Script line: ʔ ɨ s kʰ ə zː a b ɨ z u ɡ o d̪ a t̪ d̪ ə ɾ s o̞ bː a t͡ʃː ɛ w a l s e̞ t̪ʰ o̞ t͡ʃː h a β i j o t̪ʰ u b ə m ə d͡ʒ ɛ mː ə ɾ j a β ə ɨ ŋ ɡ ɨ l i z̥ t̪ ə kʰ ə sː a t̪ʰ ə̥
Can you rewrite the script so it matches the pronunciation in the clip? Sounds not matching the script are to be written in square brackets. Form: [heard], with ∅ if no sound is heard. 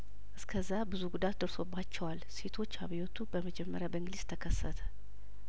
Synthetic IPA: ʔ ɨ s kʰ ə zː a b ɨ z u ɡ [u] d̪ a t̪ d̪ ə ɾ s o̞ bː a t͡ʃː ɛ w a l s e̞ t̪ʰ o̞ t͡ʃː h a β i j o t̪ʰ u b ə m ə d͡ʒ ɛ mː ə ɾ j a [b] ə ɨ ŋ ɡ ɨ l i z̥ [t̪ʰ] ə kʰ ə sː [ə] t̪ʰ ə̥